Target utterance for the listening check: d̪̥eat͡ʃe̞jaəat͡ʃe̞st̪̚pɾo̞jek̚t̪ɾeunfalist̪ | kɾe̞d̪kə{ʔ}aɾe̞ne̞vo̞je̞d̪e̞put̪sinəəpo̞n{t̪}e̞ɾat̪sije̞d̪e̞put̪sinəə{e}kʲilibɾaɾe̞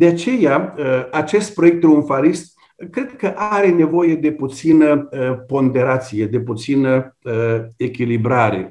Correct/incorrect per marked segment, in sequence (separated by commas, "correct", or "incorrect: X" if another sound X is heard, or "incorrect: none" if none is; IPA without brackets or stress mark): correct, incorrect: d̪, correct